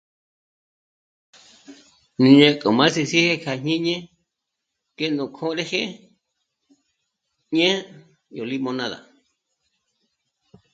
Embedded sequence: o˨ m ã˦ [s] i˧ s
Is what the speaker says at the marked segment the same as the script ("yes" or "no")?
yes